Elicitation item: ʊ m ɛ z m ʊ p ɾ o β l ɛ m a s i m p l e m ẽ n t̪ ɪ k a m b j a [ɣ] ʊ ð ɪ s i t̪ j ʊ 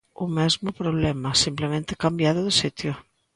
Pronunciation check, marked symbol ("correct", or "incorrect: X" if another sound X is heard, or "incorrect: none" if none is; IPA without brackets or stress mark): incorrect: ð